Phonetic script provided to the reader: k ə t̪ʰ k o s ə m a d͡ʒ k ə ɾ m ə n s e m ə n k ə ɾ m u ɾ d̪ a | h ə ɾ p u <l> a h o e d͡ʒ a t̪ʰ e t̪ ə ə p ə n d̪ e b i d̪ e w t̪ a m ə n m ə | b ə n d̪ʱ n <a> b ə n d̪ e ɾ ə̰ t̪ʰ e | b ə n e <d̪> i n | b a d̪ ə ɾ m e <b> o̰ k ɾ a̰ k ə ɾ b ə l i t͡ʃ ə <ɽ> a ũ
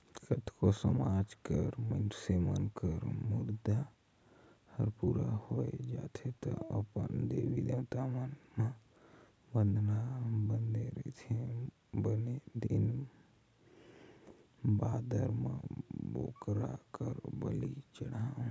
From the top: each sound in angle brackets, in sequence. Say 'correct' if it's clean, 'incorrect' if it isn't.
incorrect: ɾ, correct, correct, correct, correct

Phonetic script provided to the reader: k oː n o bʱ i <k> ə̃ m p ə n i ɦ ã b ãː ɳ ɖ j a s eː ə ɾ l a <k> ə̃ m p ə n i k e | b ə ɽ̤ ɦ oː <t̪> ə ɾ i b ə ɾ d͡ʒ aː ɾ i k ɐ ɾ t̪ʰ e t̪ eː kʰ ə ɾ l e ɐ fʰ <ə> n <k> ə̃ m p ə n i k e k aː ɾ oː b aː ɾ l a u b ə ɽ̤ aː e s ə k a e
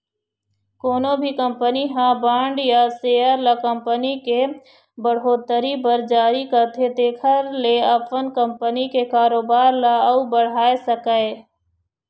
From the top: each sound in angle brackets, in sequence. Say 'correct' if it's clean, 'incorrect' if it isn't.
correct, correct, correct, correct, correct

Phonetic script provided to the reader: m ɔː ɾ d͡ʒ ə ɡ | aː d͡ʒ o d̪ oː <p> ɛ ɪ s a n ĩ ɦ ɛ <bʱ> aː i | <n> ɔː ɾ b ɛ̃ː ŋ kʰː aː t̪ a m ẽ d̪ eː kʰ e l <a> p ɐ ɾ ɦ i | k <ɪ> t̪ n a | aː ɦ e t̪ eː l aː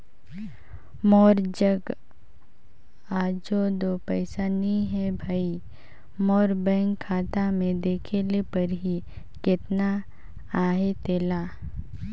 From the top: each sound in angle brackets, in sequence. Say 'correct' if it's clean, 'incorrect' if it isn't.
correct, correct, incorrect: m, incorrect: e, correct

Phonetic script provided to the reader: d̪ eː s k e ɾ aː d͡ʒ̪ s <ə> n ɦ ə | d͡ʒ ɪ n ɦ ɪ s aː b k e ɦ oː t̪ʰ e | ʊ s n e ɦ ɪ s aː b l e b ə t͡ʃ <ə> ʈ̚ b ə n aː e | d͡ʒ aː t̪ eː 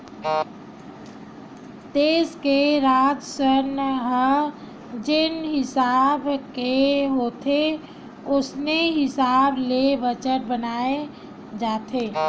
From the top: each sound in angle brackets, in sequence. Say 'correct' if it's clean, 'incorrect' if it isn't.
correct, correct

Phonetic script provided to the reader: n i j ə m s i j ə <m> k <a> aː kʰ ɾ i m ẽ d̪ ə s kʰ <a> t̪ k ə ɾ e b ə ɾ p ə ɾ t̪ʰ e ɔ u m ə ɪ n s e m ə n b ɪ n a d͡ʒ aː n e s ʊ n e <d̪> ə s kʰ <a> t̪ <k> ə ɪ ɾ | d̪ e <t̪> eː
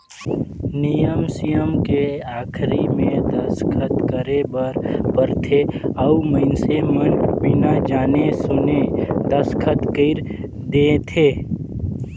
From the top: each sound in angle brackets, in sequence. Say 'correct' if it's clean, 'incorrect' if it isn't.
correct, incorrect: e, incorrect: ə, correct, incorrect: ə, correct, incorrect: t̪ʰ

